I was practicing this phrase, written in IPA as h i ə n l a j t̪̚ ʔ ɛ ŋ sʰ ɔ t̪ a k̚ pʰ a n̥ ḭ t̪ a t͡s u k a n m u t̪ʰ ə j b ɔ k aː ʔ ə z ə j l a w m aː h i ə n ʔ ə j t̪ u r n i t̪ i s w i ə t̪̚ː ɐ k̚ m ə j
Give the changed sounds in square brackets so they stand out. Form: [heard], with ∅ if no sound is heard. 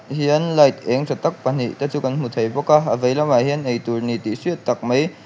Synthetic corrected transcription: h i ə n l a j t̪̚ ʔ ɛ ŋ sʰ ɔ t̪ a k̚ [p] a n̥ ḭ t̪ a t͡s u k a n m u t̪ʰ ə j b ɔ k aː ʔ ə [v] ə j l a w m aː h i ə n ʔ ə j t̪ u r n i t̪ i s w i ə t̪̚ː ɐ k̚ m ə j